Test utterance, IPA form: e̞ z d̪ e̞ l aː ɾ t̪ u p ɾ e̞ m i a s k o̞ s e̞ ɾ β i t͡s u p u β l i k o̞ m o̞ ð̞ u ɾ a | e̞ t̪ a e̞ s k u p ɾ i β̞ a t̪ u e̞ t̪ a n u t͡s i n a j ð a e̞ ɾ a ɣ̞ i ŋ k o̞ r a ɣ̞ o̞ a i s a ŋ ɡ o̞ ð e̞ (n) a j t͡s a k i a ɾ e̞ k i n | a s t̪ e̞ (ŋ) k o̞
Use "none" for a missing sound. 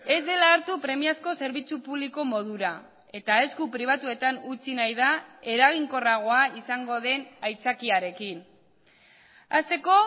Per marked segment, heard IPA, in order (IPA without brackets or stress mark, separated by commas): n, none